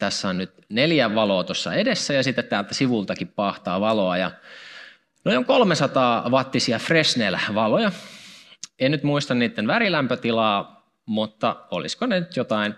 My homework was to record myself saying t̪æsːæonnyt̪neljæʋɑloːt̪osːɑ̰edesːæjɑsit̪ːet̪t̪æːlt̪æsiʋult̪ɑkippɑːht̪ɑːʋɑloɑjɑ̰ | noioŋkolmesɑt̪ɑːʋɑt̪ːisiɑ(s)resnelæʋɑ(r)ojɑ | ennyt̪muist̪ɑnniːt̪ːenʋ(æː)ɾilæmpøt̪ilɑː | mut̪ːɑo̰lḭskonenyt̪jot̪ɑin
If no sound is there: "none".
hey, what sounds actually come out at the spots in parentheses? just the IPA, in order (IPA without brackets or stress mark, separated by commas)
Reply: f, l, æ